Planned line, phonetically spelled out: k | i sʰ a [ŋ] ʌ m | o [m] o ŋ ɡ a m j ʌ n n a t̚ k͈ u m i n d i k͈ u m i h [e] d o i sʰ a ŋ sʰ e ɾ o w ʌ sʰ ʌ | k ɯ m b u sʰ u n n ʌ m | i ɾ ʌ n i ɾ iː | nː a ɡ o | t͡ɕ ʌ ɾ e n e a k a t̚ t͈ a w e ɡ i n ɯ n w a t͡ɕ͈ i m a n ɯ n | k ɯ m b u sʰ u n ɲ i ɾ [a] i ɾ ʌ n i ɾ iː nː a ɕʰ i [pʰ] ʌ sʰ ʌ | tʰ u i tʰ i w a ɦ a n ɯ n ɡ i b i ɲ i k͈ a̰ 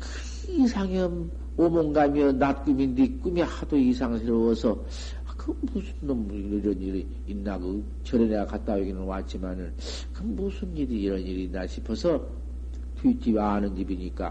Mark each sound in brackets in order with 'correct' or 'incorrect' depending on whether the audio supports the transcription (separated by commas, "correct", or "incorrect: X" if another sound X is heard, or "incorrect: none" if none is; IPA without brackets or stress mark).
correct, correct, incorrect: a, incorrect: i, correct